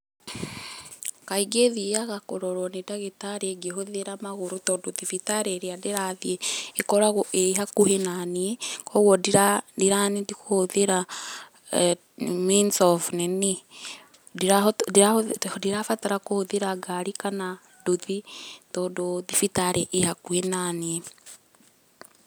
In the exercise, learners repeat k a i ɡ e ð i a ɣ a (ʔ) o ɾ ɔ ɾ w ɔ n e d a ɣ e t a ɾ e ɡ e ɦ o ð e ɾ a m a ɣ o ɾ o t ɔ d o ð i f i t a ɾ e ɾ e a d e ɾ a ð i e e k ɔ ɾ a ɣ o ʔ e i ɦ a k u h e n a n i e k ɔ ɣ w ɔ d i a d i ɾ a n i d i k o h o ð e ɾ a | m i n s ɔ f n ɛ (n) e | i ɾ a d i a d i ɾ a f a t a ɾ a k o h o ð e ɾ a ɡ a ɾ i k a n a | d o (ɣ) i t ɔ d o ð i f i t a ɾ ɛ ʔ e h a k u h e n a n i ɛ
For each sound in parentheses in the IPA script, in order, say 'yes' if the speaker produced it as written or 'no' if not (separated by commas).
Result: no, yes, no